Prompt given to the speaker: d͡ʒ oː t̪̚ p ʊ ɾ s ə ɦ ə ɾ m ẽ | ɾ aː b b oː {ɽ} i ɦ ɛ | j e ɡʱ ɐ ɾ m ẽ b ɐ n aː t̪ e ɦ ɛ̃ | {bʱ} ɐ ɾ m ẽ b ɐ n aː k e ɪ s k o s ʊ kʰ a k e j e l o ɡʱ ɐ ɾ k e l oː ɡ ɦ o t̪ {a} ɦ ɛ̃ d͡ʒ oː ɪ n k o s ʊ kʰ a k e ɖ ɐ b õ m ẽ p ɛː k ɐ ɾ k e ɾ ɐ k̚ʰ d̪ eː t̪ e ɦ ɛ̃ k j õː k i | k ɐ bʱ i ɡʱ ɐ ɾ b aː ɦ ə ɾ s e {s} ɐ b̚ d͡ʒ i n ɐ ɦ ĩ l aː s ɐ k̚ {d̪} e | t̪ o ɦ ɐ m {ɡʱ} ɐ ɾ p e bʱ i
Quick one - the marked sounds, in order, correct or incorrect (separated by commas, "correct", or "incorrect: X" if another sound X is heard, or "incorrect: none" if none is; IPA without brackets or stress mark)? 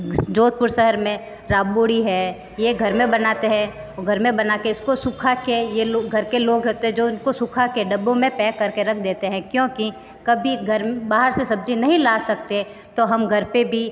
correct, incorrect: ɡʱ, incorrect: e, correct, incorrect: t̪, correct